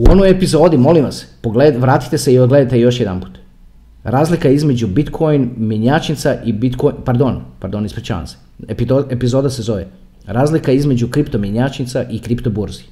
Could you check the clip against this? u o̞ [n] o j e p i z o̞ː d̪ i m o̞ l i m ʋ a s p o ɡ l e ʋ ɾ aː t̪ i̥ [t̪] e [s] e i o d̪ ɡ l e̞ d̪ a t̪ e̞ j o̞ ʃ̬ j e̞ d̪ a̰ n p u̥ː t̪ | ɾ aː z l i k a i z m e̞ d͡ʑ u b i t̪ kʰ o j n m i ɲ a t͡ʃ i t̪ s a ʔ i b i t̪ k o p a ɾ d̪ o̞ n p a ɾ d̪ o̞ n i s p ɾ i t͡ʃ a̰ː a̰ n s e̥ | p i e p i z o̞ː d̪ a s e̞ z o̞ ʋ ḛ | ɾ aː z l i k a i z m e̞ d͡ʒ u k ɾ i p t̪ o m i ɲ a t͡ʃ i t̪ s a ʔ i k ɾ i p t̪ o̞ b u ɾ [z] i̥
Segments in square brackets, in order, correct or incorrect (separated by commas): correct, correct, correct, correct